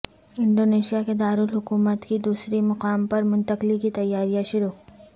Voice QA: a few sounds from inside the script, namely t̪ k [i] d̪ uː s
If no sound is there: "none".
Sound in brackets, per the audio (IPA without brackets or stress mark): i